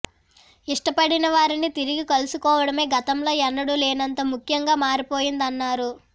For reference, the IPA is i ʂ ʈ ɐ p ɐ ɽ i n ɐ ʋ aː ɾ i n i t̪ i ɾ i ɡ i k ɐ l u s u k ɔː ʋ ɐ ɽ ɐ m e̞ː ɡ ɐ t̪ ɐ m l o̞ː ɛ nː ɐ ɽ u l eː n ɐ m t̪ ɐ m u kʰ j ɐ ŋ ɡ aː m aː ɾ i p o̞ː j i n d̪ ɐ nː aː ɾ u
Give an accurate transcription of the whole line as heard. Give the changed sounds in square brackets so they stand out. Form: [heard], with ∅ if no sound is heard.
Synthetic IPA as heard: i ʂ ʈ ɐ p ɐ ɽ i n ɐ ʋ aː ɾ i n i t̪ i ɾ i ɡ i k ɐ l u s u k ɔː ʋ ɐ ɽ ɐ m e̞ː ɡ ɐ t̪ ɐ m l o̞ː ɛ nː ɐ ɽ u l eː n ɐ [n] t̪ ɐ m u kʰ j ɐ ŋ ɡ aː m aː ɾ i p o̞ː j i n d̪ ɐ nː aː ɾ u